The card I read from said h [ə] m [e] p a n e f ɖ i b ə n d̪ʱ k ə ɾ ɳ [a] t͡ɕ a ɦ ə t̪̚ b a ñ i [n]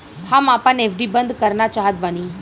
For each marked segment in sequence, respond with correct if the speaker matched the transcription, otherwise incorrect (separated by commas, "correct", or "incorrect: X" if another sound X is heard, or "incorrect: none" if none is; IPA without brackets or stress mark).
incorrect: a, incorrect: a, correct, incorrect: none